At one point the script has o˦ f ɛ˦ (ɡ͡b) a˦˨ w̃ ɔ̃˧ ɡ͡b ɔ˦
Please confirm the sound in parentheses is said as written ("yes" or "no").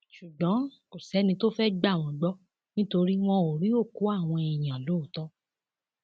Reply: yes